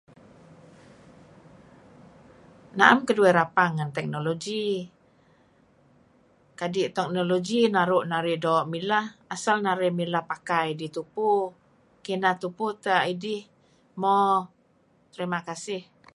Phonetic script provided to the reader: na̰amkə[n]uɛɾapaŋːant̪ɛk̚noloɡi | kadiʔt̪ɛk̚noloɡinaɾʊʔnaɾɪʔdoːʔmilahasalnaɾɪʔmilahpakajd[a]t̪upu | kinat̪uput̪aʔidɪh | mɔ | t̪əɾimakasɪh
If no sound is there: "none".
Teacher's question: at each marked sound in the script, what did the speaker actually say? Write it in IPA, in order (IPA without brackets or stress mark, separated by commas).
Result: d, i